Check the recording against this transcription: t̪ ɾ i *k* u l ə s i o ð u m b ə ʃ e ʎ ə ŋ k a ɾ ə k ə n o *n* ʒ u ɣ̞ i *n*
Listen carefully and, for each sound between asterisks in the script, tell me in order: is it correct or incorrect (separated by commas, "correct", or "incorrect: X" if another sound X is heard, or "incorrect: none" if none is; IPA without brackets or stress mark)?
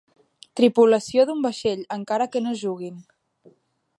incorrect: p, incorrect: none, correct